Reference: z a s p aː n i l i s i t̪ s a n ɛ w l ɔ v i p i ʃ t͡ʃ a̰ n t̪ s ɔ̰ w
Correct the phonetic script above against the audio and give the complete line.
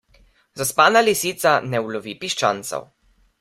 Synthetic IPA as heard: z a s p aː n a l i s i t̪ s a n ɛ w l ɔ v i p i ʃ t͡ʃ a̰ n t̪ s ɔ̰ w